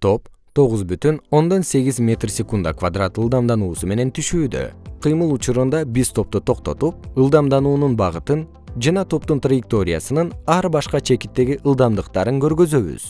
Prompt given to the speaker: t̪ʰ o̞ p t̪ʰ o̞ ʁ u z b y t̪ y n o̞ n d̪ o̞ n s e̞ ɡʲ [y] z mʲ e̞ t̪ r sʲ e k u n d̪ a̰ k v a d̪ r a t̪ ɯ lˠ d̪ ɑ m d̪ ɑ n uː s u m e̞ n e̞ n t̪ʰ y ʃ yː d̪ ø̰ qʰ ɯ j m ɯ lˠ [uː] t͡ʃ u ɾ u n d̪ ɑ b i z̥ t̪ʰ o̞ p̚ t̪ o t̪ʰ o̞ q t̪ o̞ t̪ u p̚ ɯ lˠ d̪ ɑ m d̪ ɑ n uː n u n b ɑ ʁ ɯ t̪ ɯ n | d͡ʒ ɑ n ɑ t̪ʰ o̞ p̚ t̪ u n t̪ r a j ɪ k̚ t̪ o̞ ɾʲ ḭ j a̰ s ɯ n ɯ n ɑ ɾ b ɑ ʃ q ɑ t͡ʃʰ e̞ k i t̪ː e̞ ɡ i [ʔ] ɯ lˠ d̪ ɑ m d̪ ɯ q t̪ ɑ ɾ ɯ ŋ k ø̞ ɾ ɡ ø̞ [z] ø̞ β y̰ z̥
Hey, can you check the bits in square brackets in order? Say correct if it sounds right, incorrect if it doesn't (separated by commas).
incorrect, incorrect, correct, correct